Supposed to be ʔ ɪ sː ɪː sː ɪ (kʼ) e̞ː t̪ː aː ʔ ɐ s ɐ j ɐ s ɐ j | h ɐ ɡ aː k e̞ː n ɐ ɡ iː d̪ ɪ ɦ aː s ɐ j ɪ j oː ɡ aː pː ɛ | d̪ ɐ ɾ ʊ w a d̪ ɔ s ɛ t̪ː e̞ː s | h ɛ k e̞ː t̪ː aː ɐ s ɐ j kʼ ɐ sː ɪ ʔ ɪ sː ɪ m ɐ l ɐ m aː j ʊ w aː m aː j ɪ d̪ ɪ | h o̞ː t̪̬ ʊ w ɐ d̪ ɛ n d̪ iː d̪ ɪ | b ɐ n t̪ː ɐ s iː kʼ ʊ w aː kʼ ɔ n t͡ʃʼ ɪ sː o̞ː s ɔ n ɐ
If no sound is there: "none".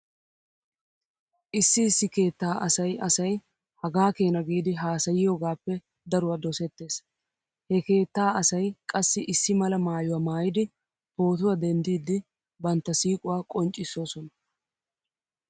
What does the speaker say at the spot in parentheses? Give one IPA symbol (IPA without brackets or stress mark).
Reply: k